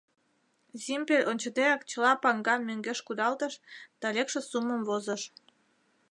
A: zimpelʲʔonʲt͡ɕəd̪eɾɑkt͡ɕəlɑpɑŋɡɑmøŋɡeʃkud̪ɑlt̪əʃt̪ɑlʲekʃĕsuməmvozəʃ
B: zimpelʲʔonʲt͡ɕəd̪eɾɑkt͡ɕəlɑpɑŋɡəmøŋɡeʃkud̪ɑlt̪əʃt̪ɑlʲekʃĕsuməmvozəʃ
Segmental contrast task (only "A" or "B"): A